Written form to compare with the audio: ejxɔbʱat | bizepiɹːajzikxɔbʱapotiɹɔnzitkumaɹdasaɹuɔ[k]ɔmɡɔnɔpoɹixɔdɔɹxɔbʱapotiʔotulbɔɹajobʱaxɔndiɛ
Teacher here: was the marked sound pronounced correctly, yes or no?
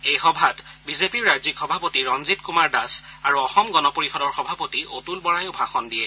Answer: no